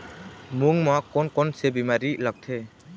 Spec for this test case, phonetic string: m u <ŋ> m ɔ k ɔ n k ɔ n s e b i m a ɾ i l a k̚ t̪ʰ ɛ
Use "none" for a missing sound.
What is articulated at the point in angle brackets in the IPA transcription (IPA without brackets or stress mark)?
ŋ